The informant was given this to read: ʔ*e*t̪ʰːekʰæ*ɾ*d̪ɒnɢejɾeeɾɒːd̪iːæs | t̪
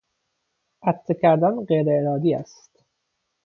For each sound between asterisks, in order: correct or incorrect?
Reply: incorrect, correct

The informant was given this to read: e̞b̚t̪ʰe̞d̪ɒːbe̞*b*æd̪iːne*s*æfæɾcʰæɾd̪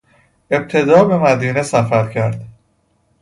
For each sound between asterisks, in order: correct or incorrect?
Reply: incorrect, correct

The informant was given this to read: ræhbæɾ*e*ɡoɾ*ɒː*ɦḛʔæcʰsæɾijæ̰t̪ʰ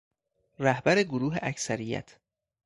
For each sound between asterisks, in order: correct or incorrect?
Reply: correct, incorrect

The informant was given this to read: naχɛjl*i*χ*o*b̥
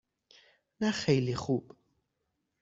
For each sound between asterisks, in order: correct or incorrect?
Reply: correct, incorrect

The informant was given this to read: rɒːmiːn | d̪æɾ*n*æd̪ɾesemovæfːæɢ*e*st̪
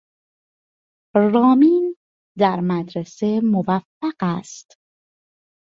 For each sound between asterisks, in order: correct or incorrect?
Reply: incorrect, incorrect

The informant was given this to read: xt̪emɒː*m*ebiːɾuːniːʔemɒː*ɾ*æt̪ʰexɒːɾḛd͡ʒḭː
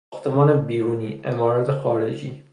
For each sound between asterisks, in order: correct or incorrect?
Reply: incorrect, correct

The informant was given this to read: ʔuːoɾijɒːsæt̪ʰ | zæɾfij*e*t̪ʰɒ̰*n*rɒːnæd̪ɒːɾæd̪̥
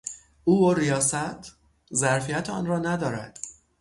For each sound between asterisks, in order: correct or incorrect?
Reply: incorrect, correct

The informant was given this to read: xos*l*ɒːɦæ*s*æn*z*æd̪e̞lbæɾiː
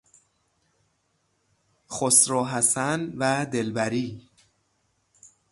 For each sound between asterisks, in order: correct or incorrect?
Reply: incorrect, correct, incorrect

